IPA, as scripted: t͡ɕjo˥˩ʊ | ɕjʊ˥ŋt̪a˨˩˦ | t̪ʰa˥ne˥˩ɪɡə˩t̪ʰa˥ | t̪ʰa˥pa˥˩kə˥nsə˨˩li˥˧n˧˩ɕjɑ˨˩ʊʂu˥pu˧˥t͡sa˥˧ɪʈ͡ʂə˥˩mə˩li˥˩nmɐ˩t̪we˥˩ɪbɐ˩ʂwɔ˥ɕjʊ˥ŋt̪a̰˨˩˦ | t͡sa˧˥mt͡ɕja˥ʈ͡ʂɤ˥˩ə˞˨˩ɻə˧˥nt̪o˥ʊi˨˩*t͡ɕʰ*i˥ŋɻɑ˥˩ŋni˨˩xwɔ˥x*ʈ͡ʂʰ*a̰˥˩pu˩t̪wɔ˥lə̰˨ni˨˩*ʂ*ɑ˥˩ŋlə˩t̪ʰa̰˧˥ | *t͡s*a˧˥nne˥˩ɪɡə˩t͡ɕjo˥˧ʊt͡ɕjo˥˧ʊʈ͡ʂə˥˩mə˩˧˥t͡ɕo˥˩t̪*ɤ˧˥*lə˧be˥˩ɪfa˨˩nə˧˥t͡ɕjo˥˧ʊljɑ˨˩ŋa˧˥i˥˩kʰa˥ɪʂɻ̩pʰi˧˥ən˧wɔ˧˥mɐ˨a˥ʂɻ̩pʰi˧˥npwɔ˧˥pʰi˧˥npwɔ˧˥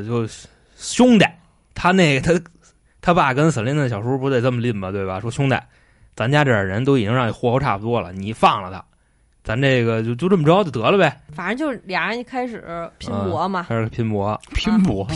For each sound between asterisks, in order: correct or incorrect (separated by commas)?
incorrect, correct, incorrect, correct, correct